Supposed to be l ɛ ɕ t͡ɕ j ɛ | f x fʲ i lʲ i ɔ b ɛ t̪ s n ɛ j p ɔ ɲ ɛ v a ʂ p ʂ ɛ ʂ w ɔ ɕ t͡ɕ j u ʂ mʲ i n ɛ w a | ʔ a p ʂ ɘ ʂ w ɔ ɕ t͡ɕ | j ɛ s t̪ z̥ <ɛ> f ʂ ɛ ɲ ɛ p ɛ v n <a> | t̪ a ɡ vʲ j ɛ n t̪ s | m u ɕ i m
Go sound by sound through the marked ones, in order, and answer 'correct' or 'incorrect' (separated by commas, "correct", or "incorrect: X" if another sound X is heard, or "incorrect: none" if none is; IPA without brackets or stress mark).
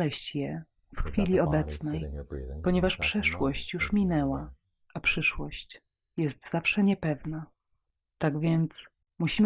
incorrect: a, correct